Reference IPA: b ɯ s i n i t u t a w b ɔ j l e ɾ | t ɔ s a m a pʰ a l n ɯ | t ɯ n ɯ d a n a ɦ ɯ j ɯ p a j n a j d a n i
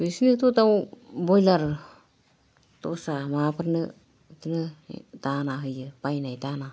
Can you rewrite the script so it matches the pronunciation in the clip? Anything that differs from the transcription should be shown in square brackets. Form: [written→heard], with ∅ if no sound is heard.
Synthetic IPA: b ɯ s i n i t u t a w b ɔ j l [e→a] ɾ | t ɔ s a m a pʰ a [l→ɾ] n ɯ | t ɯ n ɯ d a n a ɦ ɯ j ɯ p a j n a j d a n [i→a]